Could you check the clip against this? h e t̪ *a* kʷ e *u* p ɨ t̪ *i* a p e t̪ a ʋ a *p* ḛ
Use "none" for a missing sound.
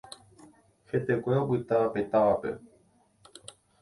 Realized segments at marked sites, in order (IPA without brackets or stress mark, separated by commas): e, o, a, p